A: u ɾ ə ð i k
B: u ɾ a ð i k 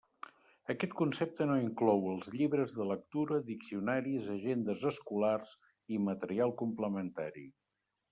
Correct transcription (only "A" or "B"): A